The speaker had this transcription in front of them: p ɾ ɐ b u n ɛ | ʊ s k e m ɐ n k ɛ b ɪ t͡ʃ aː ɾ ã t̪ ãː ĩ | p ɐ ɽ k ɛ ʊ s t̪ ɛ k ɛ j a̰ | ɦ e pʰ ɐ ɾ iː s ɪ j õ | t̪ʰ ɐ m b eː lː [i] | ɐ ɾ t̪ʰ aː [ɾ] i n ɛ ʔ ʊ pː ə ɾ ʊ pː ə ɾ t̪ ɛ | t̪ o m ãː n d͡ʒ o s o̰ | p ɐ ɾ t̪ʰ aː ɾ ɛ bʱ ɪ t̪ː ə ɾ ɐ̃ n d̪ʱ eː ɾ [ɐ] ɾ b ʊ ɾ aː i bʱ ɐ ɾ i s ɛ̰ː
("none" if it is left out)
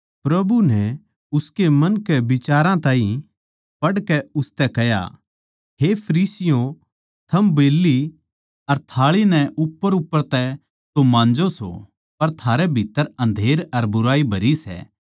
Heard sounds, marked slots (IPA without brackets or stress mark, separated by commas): i, ɭ, ɐ